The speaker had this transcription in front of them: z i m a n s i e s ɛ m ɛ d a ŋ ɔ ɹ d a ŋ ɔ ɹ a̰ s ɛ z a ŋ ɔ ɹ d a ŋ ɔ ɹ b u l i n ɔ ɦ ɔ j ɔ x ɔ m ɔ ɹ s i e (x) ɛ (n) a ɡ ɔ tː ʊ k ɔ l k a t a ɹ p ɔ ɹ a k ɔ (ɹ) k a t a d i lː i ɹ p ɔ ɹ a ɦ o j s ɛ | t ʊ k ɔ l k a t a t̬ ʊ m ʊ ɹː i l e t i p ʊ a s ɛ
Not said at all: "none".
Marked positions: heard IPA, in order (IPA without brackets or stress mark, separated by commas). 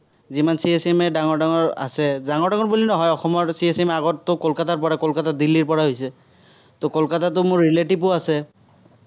s, m, l